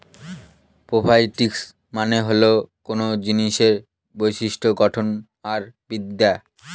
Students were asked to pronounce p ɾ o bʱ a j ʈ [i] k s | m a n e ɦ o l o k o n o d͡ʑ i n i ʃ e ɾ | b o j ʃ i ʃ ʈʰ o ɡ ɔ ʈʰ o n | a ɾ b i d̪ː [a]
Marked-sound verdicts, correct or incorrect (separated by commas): correct, correct